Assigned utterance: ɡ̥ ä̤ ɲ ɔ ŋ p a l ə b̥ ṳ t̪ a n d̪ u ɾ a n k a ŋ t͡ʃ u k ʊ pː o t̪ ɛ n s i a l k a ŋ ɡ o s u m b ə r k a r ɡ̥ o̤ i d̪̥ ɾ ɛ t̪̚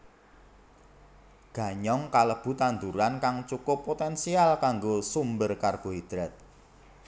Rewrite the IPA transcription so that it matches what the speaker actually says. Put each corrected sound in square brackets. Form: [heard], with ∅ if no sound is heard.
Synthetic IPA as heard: ɡ̥ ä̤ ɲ ɔ ŋ [k] a l ə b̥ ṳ t̪ a n d̪ u ɾ a n k a ŋ t͡ʃ u k ʊ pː o t̪ ɛ n s i a l k a ŋ ɡ o s u m b ə r k a r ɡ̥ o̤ i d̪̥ ɾ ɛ t̪̚